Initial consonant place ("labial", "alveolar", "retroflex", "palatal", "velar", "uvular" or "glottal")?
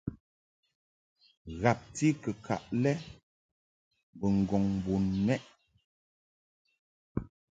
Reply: velar